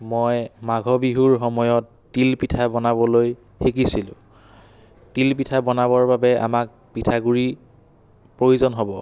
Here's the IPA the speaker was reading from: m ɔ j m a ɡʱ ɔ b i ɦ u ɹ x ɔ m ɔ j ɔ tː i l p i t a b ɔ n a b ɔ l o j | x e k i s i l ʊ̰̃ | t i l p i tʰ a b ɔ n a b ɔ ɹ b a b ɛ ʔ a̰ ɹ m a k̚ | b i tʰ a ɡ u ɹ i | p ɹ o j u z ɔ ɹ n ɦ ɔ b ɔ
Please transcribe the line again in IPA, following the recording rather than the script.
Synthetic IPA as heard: m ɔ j m a ɡʱ ɔ b i ɦ u ɹ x ɔ m ɔ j ɔ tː i l p i tʰ a b ɔ n a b ɔ l o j | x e k i s i l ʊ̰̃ | t i l p i tʰ a b ɔ n a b ɔ ɹ b a b ɛ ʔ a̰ m a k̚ | p i tʰ a ɡ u ɹ i | p ɹ o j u z ɔ n ɦ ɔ b ɔ